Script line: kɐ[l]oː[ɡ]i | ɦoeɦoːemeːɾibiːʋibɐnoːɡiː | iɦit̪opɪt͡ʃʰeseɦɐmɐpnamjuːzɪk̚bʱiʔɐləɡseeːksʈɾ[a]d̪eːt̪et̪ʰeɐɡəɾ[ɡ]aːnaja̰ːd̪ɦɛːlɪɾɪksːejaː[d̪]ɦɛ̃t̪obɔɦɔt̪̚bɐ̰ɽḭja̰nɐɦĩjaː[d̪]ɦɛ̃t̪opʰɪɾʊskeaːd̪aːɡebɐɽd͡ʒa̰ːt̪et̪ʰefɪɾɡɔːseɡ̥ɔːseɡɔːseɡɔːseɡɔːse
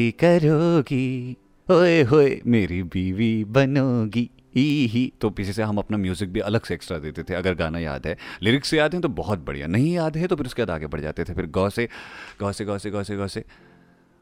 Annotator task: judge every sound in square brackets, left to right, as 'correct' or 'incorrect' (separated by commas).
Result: incorrect, correct, correct, correct, correct, correct